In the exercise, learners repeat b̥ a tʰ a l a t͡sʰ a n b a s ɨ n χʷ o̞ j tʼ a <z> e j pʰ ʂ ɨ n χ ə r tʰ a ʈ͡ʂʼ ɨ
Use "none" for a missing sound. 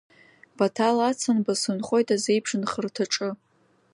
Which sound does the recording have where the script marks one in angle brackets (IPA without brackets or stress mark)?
z